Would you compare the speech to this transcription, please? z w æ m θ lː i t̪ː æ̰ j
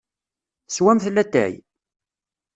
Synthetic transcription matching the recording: s w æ m θ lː æ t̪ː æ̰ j